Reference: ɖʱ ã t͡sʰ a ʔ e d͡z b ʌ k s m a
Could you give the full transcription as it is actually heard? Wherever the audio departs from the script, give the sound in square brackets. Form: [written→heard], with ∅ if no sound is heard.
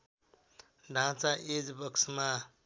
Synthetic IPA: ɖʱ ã [t͡sʰ→t͡s] a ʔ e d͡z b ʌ k s m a